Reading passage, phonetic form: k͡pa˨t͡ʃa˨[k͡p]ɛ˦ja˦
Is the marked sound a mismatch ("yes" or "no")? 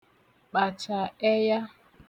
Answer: yes